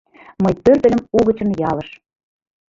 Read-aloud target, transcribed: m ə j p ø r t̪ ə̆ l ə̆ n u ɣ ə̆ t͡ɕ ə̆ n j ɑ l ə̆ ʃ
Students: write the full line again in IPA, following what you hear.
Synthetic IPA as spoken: m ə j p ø r t̪ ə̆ l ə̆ m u ɣ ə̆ t͡ɕ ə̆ n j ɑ l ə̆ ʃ